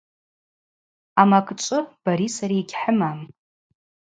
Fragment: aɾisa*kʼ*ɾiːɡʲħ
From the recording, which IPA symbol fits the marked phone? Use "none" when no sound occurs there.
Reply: none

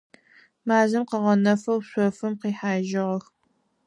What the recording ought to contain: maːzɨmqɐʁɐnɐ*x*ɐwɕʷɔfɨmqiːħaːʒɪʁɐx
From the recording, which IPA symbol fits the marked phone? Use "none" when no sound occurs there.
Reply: f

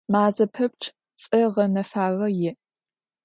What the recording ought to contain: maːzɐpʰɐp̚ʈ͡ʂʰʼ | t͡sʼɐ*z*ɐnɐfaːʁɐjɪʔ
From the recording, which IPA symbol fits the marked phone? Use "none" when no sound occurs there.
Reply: ʁ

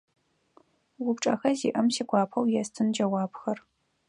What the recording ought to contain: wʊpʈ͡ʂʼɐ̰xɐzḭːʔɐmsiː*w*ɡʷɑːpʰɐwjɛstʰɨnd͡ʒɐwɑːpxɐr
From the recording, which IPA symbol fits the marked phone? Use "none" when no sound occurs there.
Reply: none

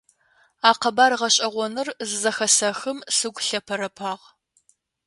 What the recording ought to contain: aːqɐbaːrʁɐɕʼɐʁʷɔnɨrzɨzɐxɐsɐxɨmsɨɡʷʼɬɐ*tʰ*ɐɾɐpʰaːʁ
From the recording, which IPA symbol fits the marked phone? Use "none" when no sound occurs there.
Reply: pʰ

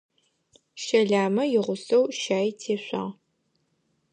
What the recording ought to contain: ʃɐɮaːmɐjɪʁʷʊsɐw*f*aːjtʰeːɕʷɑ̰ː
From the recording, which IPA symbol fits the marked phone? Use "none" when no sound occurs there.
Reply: ʃ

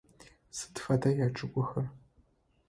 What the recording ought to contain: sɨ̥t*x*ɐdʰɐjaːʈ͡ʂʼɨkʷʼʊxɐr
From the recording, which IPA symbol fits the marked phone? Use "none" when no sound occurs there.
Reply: f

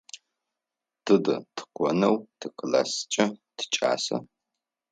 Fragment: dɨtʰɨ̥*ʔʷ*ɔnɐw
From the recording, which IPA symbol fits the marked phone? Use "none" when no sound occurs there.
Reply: qʷ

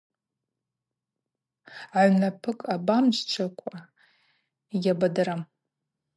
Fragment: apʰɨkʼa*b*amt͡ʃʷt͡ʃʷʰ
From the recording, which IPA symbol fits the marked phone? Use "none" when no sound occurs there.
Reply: b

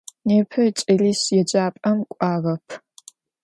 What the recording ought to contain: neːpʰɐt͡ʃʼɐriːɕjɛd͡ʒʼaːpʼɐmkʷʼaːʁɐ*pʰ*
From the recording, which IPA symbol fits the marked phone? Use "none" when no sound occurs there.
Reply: pʰ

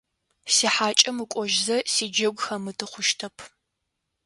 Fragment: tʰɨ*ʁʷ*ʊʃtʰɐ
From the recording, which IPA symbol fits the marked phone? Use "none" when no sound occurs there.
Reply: χʷ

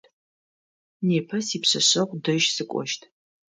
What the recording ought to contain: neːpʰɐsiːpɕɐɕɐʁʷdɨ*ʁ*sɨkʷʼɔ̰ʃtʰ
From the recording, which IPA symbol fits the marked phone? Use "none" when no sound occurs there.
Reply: ʒ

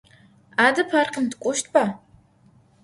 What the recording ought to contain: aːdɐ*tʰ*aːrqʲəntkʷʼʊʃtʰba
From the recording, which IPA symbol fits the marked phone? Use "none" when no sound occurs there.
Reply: pʰ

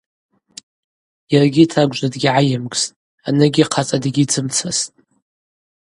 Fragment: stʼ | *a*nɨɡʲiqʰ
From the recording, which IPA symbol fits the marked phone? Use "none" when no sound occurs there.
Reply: a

